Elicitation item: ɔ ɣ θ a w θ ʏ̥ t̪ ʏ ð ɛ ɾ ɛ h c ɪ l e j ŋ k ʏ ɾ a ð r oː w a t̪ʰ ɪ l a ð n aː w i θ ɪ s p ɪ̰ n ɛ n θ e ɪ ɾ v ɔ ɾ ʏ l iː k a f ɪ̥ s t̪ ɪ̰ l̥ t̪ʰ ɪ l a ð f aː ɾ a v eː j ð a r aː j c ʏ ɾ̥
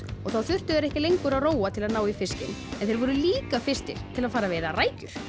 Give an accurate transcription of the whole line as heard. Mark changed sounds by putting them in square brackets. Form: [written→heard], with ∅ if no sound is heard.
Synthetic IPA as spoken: ɔ ɣ θ a w θ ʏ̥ t̪ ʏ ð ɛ ɾ ɛ h c ɪ l e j ŋ k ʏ ɾ a ð r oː w a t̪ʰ ɪ l a ð n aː w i [θ→f] ɪ s [p→c] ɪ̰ n ɛ n θ e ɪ ɾ v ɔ ɾ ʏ l iː k a f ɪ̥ s t̪ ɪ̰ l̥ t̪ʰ ɪ l a ð f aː ɾ a v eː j ð a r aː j c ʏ ɾ̥